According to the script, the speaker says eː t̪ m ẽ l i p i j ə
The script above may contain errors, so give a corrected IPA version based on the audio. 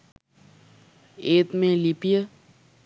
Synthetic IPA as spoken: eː t̪ m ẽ l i p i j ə